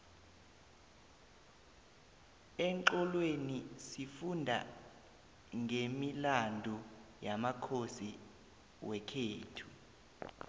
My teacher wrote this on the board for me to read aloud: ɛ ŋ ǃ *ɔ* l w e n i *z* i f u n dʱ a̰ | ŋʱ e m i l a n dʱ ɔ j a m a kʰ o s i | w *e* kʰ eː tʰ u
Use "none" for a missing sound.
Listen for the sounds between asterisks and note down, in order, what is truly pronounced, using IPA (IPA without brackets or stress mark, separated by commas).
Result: ɔ, s, ɛ